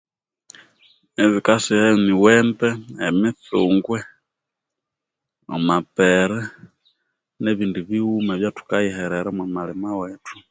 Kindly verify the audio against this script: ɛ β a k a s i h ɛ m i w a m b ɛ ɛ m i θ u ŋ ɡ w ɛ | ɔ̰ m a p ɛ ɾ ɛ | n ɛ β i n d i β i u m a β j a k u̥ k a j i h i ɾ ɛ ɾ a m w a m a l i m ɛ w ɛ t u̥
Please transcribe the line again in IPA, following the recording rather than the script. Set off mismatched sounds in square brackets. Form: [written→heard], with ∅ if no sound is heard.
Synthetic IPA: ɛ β [a→i] k a s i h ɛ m i w [a→ɛ] m b ɛ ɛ m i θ u ŋ ɡ w ɛ | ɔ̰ m a p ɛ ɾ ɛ | n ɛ β i n d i β i u m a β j a [k→t] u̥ k a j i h [i→ɛ] ɾ ɛ ɾ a m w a m a l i m [ɛ→a] w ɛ t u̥